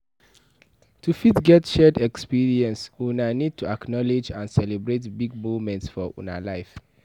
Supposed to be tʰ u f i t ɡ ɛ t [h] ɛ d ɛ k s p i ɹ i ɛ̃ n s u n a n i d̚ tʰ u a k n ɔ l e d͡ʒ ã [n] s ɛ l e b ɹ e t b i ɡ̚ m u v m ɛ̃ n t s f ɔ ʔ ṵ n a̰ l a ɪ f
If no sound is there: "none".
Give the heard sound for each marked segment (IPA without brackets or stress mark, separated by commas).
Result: ʃ, n